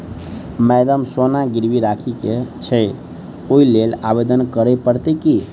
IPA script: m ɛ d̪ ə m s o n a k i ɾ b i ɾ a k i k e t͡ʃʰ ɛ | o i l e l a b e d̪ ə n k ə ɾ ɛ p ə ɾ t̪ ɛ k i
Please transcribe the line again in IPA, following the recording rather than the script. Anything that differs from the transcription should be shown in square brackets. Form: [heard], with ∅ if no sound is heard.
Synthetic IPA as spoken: m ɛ d̪ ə m s o n a [ɡ] i ɾ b i ɾ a [kʰ] i k e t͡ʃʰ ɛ | o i l e l a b e d̪ ə n k ə ɾ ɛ p ə ɾ t̪ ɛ k i